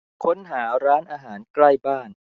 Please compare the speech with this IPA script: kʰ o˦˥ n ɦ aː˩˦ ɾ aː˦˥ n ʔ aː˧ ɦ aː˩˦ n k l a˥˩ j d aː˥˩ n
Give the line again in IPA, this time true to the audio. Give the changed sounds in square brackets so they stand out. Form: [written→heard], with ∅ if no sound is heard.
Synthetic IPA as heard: kʰ o˦˥ n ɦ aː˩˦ ɾ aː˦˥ n ʔ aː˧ ɦ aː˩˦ n k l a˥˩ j [d→b] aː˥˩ n

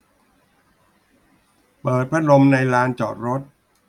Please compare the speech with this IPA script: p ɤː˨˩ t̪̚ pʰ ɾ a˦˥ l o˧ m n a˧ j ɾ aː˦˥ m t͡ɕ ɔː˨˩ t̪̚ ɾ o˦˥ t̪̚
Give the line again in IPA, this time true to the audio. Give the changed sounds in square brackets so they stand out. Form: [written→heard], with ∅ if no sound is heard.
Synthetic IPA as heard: p ɤː˨˩ t̪̚ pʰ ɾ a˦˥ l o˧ m n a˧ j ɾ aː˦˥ [m→n] t͡ɕ ɔː˨˩ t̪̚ ɾ o˦˥ t̪̚

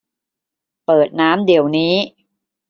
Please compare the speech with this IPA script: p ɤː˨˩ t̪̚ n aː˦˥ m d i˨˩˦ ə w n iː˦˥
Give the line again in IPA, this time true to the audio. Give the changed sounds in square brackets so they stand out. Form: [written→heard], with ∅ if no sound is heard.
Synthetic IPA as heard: p ɤː˨˩ t̪̚ n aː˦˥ m d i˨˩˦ ə w n iː˦˥

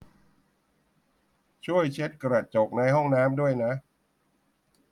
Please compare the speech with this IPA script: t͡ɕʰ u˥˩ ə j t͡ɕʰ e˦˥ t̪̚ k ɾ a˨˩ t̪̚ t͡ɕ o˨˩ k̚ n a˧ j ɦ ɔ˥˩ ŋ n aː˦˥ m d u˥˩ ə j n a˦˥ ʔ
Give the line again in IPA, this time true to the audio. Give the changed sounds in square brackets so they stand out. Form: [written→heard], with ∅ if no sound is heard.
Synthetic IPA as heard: t͡ɕʰ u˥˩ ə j t͡ɕʰ e˦˥ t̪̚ k ɾ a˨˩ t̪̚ t͡ɕ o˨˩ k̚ n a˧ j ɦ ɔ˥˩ ŋ n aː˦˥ m d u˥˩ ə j n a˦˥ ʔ

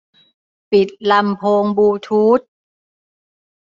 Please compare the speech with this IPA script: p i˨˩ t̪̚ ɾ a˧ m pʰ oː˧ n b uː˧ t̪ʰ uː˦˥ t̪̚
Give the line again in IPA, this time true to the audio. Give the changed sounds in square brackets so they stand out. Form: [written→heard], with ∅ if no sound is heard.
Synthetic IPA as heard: p i˨˩ t̪̚ [ɾ→l] a˧ m pʰ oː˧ [n→ŋ] b uː˧ t̪ʰ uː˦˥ t̪̚

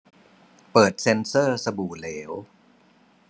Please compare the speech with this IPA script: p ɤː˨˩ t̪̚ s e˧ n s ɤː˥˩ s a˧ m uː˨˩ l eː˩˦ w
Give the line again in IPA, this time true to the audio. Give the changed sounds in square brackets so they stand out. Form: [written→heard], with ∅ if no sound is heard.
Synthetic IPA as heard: p ɤː˨˩ t̪̚ s e˧ n s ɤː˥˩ s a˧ [m→b] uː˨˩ l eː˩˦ w

